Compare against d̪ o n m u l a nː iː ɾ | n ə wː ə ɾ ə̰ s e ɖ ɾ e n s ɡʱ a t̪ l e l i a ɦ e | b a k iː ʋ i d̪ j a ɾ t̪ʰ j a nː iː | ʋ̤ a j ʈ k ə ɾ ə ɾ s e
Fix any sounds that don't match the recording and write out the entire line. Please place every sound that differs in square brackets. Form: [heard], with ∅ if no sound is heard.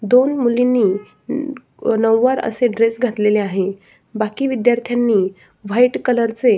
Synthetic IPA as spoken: d̪ o n m u l [i] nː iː [∅] | n ə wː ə ɾ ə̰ s e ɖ ɾ e [∅] s ɡʱ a t̪ l e l [e] a ɦ e | b a k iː ʋ i d̪ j a ɾ t̪ʰ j a nː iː | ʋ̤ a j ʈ k ə [l] ə ɾ [t͡s] e